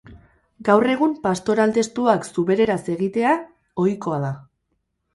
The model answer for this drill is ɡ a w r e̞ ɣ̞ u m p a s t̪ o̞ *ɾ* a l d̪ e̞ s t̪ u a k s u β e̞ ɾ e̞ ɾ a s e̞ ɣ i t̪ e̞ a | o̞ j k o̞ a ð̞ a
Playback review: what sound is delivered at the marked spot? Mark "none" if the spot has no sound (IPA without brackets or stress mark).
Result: ɾ